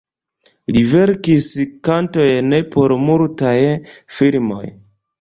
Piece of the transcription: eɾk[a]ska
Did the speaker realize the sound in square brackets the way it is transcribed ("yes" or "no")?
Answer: no